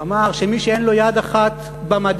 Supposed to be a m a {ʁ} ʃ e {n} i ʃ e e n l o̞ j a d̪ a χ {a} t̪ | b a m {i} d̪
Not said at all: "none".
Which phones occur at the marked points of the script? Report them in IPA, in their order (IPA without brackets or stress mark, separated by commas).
ʁ, m, a, a